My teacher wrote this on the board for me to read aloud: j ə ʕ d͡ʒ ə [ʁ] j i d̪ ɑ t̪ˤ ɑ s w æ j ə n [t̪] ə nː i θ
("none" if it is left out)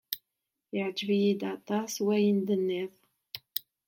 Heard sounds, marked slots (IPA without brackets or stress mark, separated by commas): v, d̪